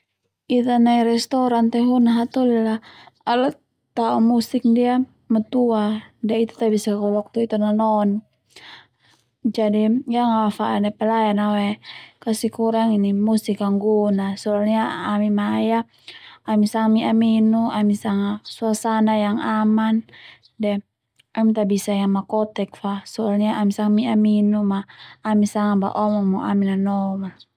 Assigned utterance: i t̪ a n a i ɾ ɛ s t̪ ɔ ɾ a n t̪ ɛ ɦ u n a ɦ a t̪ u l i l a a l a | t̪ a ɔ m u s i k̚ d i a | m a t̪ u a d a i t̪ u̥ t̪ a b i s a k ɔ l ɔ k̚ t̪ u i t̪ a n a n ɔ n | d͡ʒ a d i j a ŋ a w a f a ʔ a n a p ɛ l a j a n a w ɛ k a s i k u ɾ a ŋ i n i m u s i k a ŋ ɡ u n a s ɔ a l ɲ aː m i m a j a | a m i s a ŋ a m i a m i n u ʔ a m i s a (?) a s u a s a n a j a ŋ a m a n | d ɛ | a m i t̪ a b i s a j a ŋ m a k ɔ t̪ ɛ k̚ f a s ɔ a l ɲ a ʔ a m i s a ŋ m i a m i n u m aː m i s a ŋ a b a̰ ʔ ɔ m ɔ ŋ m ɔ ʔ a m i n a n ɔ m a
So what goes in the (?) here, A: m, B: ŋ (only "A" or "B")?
B